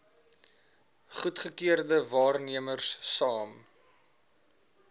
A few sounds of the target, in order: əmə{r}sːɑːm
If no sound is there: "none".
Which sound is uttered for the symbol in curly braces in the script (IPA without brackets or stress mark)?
r